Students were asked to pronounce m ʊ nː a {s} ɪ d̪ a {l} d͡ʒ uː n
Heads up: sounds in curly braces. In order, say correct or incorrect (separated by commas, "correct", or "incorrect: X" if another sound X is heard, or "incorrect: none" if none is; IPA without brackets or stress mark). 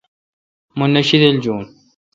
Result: incorrect: ʃ, correct